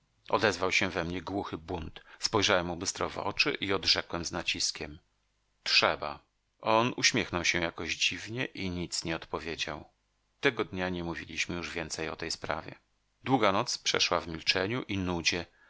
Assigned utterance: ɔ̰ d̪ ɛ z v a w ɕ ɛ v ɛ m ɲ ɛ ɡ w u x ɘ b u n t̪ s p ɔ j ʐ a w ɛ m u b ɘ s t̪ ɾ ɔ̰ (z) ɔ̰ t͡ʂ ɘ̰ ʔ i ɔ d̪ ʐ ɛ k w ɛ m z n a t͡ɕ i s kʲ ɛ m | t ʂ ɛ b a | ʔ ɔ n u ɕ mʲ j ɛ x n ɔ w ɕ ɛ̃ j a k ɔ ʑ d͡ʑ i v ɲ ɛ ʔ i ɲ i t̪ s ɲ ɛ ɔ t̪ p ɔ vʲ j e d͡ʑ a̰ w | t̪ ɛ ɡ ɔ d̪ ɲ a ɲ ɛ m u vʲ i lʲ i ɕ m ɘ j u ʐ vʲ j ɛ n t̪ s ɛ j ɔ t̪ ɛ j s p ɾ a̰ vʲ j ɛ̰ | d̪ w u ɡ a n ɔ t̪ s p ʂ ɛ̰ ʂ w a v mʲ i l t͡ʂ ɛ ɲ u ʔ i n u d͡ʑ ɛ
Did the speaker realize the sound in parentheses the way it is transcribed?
no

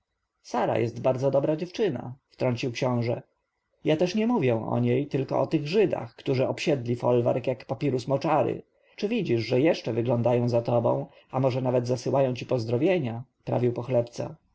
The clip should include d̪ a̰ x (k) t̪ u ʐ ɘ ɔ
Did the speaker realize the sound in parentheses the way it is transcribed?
yes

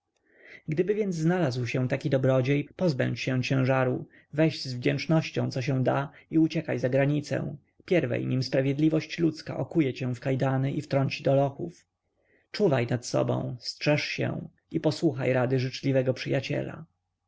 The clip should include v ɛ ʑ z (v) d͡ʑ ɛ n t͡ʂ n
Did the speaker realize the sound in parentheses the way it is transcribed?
yes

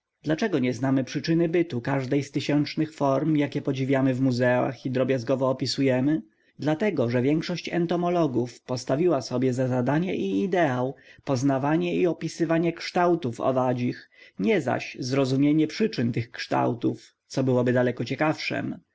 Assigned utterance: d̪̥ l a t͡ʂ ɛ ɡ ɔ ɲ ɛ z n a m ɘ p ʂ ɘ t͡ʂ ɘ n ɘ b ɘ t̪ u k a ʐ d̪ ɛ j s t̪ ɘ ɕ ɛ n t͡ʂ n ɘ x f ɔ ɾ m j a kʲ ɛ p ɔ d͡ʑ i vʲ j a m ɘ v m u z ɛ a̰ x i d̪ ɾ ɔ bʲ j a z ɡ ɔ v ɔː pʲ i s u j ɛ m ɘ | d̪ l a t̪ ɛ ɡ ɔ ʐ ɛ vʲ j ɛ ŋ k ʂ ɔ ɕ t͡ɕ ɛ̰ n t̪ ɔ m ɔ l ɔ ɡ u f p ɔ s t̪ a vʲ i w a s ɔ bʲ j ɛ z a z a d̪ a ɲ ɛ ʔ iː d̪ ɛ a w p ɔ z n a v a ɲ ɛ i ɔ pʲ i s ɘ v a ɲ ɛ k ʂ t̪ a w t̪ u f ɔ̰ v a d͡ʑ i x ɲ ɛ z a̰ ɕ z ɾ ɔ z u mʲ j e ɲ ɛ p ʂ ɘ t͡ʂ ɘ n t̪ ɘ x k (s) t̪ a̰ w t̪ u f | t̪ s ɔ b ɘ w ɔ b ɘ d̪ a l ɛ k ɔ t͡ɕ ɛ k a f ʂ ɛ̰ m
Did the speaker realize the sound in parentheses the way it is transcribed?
no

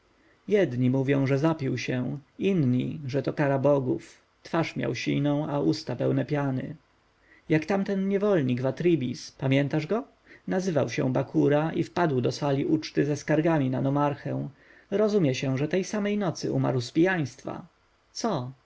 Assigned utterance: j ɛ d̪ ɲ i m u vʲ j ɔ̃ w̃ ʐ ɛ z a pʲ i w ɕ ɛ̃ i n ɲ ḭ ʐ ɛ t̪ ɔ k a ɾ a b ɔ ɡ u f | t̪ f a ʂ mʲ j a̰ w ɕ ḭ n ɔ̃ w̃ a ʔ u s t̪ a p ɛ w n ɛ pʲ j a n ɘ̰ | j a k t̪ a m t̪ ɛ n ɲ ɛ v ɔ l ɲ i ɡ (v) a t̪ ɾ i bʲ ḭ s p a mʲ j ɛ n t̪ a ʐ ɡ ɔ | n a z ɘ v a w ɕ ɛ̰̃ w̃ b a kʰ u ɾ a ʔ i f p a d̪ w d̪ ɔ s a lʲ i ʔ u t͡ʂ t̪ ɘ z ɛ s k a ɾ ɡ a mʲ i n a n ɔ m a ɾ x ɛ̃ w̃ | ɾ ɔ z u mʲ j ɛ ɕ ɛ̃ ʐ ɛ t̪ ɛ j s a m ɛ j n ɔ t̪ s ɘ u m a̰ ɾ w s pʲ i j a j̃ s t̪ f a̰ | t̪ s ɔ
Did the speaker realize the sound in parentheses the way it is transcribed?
yes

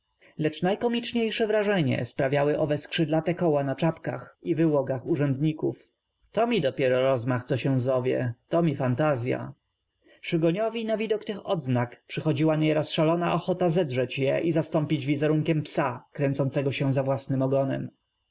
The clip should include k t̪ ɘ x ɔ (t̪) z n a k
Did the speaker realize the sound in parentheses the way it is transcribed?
no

